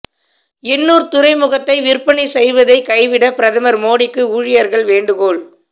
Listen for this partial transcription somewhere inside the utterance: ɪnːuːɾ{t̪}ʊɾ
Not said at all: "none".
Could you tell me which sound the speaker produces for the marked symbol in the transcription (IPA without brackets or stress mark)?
t̪